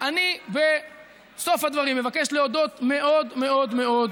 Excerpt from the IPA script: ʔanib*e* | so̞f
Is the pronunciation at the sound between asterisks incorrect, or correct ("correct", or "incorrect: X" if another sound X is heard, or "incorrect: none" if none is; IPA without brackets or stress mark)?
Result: correct